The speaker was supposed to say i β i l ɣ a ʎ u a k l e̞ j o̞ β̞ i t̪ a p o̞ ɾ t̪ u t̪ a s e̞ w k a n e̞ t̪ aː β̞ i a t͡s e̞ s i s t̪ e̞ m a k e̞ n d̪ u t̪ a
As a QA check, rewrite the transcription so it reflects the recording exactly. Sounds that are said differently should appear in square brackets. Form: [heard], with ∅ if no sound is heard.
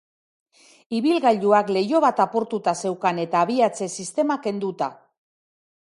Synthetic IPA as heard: i β i l ɣ a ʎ u a k l e̞ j o̞ β̞ [a] t̪ a p o̞ ɾ t̪ u t̪ a s e̞ w k a n e̞ t̪ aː β̞ i a t͡s e̞ s i s t̪ e̞ m a k e̞ n d̪ u t̪ a